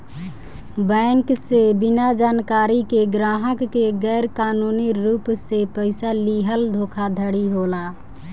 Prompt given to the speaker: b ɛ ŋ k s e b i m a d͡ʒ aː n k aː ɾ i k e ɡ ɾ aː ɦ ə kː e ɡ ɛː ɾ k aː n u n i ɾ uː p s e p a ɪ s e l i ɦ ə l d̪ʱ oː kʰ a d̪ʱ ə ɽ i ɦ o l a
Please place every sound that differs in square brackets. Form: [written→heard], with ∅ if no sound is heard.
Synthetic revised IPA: b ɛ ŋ k s e b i [m→n] a d͡ʒ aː n k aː ɾ i k e ɡ ɾ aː ɦ ə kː e ɡ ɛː ɾ k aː n u n i ɾ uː p s e p [a→ə] ɪ s [e→a] l i ɦ ə l d̪ʱ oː kʰ a d̪ʱ ə ɽ i ɦ o l a